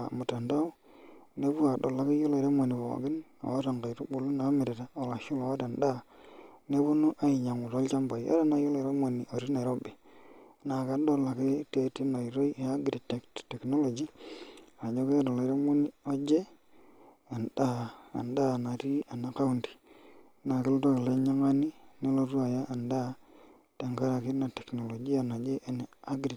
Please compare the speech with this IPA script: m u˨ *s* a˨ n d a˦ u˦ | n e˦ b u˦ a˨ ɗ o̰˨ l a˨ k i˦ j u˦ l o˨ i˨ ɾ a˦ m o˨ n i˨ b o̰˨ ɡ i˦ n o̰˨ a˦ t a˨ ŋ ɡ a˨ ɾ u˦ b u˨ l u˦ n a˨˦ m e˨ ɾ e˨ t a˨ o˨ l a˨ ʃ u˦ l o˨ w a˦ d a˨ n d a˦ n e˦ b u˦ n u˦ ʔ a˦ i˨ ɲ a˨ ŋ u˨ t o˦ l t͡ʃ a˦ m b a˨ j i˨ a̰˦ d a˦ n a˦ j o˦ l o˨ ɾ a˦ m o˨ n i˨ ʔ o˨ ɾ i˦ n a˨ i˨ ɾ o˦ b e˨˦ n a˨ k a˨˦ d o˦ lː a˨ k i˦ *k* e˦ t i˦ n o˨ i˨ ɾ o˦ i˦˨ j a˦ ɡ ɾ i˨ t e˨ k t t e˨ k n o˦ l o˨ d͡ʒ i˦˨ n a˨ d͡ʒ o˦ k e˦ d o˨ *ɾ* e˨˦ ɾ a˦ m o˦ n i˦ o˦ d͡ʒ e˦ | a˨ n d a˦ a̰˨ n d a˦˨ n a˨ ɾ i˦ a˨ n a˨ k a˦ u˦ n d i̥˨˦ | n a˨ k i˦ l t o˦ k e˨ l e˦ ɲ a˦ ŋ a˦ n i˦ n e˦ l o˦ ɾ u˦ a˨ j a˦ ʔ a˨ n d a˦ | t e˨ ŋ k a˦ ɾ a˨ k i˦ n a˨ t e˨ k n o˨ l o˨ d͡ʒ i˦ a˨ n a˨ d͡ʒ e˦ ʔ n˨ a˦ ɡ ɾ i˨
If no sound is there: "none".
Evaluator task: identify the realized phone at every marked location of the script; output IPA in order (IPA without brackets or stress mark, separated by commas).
t, t, l